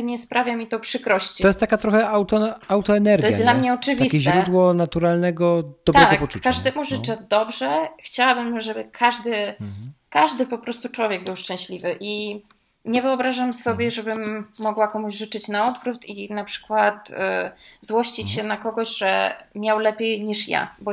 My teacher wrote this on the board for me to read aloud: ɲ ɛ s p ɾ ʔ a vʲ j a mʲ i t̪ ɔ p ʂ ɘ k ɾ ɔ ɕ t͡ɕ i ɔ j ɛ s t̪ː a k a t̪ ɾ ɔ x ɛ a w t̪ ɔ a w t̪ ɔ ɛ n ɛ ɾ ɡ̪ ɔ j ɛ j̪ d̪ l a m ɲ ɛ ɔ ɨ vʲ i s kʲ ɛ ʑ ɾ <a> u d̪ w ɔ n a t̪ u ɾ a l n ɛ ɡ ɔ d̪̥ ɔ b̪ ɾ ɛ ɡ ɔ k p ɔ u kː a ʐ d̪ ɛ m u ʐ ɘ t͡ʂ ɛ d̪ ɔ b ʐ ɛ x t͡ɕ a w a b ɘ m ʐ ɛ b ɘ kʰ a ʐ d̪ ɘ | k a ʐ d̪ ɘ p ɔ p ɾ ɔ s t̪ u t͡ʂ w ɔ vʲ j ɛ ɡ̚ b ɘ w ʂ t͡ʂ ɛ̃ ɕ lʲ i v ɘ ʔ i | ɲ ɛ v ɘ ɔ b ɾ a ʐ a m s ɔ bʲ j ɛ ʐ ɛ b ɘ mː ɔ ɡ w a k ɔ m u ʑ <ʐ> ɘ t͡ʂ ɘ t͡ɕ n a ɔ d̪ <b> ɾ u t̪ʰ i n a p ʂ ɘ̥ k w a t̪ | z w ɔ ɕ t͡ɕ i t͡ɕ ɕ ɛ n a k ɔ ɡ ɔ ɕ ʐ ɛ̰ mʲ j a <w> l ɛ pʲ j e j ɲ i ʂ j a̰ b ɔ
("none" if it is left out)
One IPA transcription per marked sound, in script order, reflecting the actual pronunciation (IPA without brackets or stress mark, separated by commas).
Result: ɛ, ʐ, v, w